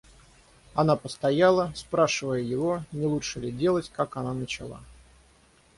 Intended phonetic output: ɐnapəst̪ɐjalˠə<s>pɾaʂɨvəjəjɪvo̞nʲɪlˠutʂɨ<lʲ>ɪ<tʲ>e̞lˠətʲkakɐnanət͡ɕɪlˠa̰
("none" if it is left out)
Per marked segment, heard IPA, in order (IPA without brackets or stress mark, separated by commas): s, lʲ, dʲ